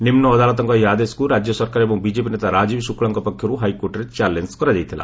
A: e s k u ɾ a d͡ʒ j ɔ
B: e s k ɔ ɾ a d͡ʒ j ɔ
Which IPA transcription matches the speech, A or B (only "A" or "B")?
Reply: A